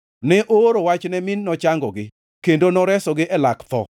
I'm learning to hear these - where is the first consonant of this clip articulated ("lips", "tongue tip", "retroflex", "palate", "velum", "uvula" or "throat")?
tongue tip